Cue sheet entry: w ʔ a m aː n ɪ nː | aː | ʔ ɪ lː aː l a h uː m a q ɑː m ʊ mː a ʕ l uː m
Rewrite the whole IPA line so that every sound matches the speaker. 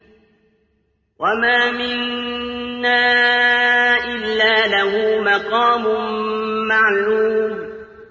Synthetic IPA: w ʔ a m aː m ɪ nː | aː | ʔ ɪ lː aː l a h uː m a q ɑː m ʊ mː a ʕ l uː m